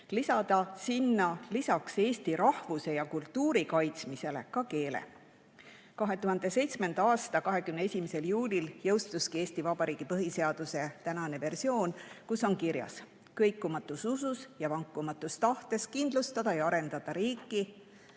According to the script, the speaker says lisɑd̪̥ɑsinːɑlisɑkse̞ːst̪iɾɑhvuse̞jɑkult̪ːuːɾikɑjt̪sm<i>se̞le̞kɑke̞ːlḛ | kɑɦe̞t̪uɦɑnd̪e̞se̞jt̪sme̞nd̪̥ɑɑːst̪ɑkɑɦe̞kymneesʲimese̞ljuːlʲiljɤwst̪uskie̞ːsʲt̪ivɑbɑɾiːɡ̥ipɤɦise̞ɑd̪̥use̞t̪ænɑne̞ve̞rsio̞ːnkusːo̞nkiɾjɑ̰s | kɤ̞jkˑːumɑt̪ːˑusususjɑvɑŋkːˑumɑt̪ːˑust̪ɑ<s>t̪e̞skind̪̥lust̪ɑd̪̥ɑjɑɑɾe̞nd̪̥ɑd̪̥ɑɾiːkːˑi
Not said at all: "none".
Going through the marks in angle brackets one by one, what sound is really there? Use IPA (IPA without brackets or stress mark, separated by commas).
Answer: i, h